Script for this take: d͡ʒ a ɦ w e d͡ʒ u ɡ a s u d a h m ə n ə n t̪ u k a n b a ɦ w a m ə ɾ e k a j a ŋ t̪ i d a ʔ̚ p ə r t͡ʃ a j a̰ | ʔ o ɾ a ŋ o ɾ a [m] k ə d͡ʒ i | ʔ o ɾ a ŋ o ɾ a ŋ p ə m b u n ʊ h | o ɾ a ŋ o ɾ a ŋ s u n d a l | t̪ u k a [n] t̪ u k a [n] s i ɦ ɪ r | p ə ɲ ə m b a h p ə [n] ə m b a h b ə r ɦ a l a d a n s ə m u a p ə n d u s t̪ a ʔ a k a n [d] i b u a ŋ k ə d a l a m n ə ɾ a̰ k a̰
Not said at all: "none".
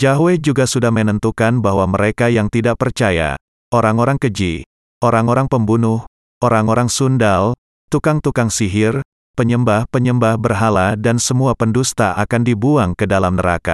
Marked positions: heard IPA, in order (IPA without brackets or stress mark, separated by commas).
ŋ, ŋ, ŋ, ɲ, d